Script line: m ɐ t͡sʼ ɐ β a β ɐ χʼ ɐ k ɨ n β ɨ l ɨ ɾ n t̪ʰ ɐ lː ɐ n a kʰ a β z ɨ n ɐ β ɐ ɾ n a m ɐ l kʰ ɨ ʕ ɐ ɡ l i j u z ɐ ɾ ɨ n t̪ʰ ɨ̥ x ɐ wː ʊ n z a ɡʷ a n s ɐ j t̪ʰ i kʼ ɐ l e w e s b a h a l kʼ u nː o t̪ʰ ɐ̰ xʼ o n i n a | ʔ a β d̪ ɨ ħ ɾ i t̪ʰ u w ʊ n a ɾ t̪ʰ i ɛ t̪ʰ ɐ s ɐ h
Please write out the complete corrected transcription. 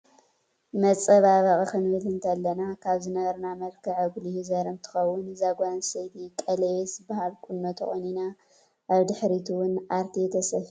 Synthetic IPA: m ɐ t͡sʼ ɐ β a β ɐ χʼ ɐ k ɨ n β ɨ l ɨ n t̪ʰ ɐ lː ɐ n a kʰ a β z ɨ n ɐ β ɐ ɾ n a m ɐ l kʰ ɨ ʕ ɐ ɡ l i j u z ɐ ɾ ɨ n t̪ʰ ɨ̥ x ɐ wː ʊ n z a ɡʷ a n s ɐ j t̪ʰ i kʼ ɐ l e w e s b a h a l kʼ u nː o t̪ʰ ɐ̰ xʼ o n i n a | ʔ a β d̪ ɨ ħ ɾ i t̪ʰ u w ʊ n a ɾ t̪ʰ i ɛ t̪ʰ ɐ s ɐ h